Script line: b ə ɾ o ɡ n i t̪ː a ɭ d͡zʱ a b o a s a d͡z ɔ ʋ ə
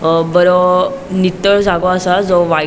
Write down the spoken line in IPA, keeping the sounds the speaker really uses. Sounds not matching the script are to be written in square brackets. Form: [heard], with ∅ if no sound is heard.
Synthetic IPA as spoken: b ə ɾ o [∅] n i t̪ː [ə] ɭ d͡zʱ a [ɡ] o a s a d͡z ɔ ʋ [a]